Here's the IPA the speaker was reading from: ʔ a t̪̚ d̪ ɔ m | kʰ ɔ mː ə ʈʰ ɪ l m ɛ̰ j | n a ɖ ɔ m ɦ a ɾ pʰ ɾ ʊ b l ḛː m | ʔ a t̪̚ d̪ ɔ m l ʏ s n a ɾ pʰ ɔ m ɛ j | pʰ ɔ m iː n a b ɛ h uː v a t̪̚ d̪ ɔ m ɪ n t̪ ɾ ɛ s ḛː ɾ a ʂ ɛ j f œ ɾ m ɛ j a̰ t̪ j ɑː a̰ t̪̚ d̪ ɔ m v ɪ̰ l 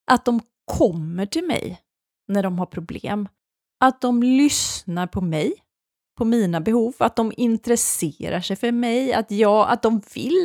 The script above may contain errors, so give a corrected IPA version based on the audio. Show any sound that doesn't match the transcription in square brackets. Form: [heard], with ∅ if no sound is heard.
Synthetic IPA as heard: ʔ a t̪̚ d̪ ɔ m | kʰ ɔ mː ə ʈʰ ɪ l m ɛ̰ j | n [æ] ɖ ɔ m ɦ a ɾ pʰ ɾ ʊ b l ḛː m | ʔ a t̪̚ d̪ ɔ m l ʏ s n a ɾ pʰ ɔ m ɛ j | pʰ ɔ m iː n a b ɛ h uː v a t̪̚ d̪ ɔ m ɪ n t̪ ɾ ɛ s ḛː ɾ a ʂ ɛ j f œ ɾ m ɛ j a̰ t̪ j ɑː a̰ t̪̚ d̪ ɔ m v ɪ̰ l